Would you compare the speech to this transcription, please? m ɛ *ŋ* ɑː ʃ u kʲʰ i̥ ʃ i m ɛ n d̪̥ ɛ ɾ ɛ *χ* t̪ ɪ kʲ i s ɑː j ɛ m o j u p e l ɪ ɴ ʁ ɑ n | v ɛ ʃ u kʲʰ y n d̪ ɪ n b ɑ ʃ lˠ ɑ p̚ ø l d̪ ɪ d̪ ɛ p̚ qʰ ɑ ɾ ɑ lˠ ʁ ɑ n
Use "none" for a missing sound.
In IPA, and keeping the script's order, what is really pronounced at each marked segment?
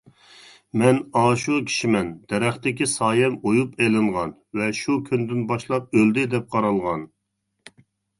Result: n, χ

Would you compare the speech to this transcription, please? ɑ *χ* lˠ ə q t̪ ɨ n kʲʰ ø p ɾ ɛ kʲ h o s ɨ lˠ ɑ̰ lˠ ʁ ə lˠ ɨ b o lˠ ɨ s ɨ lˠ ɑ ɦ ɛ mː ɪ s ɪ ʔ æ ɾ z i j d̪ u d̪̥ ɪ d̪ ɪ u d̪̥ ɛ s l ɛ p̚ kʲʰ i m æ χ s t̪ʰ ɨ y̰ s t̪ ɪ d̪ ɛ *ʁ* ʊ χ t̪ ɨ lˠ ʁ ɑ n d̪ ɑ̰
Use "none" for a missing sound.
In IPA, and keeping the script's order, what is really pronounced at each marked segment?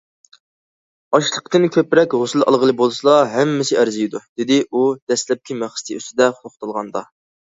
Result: ʃ, χ

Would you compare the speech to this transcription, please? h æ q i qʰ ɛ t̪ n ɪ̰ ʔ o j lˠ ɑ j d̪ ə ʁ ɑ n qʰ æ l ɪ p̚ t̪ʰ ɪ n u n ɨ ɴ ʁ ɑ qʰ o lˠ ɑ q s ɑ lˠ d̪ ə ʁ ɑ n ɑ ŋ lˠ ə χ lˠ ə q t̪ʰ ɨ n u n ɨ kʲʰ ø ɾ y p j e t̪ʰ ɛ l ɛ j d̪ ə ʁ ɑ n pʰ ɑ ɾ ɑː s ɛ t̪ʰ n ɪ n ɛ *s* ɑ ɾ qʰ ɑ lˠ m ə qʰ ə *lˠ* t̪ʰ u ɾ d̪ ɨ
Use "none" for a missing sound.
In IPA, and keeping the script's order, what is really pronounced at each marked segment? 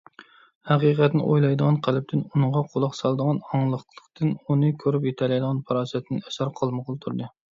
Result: s, lˠ

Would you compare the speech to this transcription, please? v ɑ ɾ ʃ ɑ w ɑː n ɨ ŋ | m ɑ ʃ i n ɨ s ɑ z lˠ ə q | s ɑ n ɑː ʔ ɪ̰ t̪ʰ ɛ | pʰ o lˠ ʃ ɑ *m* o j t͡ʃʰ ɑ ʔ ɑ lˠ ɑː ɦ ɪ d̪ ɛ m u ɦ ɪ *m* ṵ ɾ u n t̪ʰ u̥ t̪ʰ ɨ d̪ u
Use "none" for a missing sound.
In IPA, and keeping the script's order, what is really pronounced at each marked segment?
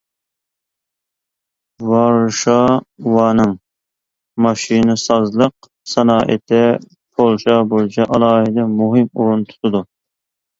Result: b, m

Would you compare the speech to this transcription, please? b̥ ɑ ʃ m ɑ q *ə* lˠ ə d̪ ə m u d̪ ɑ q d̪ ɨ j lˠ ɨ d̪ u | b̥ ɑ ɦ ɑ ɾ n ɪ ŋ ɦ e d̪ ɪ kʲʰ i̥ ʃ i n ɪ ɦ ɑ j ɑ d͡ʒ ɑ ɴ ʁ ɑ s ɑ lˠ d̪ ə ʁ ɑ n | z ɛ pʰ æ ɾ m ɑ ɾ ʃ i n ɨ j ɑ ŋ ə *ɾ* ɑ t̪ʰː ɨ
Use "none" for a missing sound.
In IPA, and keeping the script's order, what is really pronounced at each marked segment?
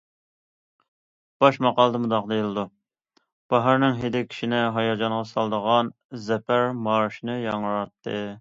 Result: ɑ, ɾ

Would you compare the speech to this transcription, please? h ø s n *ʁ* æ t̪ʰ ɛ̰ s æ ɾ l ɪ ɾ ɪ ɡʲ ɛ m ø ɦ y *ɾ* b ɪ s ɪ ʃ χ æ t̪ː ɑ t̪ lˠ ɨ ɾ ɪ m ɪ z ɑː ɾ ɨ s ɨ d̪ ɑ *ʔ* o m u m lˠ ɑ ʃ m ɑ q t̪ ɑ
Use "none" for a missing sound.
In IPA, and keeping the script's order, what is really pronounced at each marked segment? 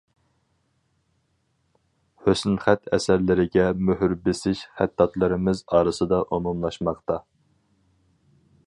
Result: χ, ɾ, ʔ

